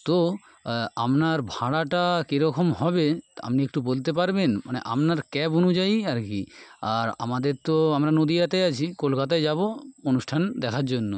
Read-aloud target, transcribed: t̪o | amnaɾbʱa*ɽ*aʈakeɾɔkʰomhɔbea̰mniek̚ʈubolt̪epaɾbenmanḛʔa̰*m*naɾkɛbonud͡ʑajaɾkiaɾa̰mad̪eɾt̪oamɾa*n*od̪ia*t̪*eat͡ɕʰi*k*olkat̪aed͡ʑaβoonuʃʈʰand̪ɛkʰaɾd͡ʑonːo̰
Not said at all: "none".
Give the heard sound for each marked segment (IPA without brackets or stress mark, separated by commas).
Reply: ɽ, m, n, t̪, k